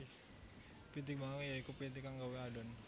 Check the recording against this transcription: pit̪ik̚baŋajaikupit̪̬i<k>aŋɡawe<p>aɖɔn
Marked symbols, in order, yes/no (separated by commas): yes, no